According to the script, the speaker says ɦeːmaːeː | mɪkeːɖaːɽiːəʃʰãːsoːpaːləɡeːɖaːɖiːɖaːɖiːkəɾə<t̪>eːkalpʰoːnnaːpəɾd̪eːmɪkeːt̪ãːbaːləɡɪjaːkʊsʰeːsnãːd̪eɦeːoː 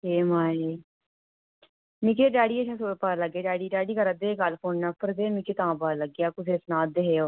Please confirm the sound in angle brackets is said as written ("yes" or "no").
no